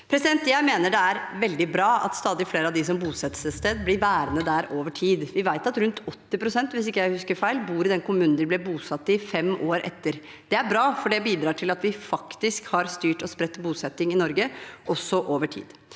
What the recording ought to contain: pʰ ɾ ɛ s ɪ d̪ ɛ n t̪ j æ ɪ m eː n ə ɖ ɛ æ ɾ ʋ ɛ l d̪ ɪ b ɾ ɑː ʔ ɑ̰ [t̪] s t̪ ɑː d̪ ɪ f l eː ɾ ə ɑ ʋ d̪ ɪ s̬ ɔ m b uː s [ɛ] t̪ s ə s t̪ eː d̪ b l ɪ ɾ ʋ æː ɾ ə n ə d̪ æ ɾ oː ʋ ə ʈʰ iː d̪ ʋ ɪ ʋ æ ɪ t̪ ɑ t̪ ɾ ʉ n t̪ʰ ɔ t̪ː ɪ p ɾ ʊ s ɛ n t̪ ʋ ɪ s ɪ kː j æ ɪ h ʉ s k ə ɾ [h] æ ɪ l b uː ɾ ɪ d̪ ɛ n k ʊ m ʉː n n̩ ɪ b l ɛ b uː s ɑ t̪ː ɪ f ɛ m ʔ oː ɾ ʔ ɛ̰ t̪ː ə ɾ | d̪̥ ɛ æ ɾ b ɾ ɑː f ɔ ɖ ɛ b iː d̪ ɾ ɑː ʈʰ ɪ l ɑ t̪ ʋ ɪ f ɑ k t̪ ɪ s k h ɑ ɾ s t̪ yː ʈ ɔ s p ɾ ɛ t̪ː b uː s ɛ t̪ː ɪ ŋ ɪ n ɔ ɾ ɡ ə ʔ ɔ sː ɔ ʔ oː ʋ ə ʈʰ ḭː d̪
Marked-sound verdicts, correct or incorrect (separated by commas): correct, correct, incorrect